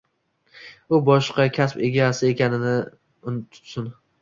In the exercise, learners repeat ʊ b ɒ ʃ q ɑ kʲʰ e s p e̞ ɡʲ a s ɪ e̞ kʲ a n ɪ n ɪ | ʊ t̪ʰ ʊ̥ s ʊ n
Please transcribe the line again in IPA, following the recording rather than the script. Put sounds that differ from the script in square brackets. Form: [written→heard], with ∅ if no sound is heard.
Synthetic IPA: ʊ b ɒ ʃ q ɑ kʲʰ [e→a] s p e̞ ɡʲ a s ɪ e̞ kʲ a n ɪ n ɪ | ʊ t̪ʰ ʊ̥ s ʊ n